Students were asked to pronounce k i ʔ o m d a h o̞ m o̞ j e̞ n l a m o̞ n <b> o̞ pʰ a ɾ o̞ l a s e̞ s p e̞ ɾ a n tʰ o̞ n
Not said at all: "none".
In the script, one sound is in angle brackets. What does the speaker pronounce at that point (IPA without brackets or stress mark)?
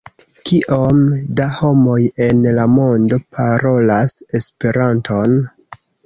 d